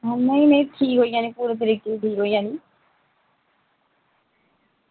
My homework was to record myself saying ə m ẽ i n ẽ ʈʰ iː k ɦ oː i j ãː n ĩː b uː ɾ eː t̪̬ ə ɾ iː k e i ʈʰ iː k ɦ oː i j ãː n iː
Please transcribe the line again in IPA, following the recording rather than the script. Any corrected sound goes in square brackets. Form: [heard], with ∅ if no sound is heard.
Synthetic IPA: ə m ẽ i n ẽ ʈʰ iː k ɦ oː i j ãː n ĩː [p] uː ɾ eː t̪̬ ə ɾ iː k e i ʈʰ iː k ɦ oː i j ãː n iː